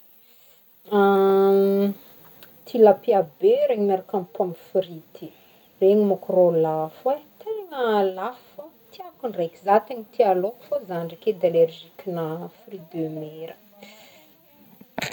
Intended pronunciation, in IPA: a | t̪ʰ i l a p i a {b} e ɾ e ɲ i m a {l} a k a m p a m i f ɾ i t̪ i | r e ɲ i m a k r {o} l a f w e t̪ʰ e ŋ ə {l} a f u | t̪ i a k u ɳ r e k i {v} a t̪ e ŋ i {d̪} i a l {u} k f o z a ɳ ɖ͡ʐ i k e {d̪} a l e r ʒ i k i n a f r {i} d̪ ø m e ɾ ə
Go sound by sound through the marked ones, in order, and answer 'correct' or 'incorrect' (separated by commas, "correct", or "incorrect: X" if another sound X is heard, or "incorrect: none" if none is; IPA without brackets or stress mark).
correct, incorrect: ɾ, correct, correct, incorrect: z, incorrect: t̪, incorrect: o, correct, correct